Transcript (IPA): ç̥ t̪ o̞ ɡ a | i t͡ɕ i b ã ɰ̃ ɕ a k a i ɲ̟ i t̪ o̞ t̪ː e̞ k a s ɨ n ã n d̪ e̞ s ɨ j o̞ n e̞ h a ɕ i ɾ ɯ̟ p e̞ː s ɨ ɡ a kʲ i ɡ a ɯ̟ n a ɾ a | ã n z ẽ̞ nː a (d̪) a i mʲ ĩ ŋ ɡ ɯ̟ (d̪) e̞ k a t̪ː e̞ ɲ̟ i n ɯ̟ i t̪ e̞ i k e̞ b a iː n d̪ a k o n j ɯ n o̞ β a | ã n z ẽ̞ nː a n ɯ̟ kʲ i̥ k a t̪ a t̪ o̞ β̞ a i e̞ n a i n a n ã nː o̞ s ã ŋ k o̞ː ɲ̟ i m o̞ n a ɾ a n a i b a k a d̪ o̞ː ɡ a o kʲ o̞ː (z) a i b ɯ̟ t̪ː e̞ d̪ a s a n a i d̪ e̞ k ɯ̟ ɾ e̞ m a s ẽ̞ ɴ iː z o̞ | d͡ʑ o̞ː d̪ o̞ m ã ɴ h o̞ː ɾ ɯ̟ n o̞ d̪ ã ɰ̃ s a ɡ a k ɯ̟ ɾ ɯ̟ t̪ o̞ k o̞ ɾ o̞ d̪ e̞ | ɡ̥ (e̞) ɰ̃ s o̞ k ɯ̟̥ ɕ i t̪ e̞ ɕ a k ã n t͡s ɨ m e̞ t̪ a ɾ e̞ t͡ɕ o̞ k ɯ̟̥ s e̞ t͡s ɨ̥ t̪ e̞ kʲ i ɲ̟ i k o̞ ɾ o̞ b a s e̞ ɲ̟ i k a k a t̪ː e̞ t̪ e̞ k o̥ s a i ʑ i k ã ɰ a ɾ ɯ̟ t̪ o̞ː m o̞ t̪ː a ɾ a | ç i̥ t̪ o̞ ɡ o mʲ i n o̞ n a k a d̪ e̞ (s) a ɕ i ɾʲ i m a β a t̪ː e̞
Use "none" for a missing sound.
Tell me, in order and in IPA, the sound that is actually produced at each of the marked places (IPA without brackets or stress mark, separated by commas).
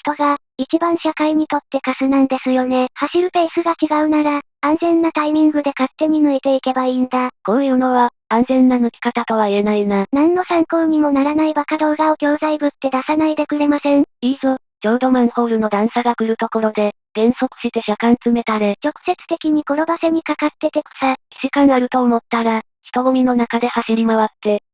t̪, d̪, z, ẽ̞, h